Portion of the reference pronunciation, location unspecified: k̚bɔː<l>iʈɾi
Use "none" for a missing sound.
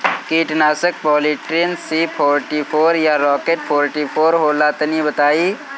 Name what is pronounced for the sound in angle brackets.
l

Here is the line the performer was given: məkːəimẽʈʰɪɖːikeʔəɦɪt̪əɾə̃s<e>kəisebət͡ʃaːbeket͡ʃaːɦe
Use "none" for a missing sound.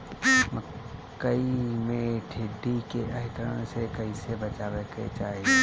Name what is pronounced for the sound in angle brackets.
e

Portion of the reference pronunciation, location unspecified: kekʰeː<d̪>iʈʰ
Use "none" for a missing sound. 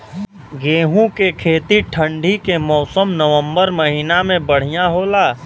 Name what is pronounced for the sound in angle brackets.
t̪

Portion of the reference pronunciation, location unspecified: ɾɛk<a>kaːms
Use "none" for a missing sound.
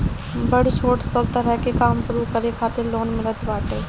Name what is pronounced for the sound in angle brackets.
e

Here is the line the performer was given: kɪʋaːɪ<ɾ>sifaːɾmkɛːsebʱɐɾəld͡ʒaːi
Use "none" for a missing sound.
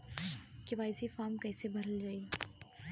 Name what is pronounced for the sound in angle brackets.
none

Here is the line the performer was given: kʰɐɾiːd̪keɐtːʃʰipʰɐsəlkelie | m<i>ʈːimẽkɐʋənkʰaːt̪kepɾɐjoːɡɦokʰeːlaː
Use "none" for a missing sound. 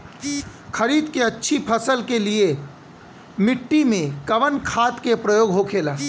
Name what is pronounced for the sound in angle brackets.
ɪ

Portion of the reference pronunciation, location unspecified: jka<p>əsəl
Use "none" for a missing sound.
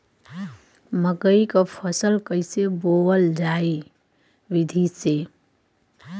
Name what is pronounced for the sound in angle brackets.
pʰ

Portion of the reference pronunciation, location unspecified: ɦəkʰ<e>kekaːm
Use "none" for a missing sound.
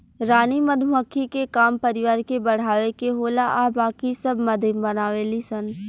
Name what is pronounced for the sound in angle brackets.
i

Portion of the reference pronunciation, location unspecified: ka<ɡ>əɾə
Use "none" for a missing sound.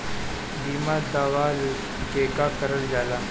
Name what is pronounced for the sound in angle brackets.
k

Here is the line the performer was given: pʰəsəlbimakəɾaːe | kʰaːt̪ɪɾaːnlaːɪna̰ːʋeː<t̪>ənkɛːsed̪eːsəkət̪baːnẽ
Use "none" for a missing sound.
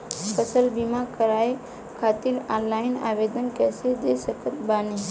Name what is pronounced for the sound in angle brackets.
d̪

